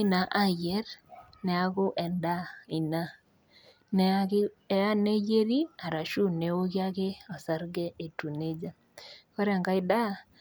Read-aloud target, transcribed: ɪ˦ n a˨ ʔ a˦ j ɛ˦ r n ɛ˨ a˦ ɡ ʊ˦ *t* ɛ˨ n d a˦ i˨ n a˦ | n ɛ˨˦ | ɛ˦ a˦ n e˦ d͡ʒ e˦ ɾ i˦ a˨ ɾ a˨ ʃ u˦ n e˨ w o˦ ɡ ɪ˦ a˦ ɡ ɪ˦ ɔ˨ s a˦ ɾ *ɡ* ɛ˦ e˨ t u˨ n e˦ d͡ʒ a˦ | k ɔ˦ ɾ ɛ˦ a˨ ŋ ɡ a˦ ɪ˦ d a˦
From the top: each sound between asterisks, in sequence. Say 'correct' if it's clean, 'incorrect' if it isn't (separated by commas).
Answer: incorrect, correct